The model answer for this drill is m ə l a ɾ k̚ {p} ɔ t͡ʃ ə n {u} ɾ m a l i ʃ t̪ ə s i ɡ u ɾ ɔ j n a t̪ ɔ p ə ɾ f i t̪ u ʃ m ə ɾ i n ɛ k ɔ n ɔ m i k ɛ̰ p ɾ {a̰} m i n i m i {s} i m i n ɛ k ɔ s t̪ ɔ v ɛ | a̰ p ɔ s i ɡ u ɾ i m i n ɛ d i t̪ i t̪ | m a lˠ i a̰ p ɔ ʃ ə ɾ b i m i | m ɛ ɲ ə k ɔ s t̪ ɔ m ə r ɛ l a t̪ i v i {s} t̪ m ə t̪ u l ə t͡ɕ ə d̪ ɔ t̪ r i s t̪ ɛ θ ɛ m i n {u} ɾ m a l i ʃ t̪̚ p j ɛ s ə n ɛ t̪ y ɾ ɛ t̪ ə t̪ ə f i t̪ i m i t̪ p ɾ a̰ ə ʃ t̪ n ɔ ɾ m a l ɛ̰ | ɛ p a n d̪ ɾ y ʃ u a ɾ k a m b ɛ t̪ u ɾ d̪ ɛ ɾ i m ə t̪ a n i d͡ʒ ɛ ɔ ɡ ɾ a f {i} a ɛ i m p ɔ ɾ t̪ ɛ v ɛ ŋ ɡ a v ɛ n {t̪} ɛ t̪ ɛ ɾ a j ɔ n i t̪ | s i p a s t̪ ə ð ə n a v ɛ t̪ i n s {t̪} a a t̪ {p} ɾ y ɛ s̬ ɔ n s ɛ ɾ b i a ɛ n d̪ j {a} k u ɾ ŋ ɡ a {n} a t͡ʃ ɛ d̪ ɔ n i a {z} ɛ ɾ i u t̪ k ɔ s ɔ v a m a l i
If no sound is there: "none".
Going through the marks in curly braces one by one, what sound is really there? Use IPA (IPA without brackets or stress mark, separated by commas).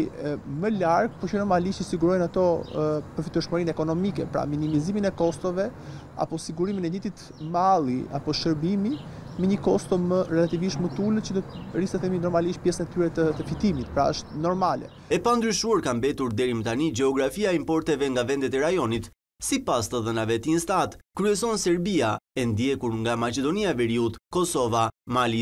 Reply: p, ɔ, a̰, z, ʃ, ɔ, i, d̪, t̪, k, ɛ, m, v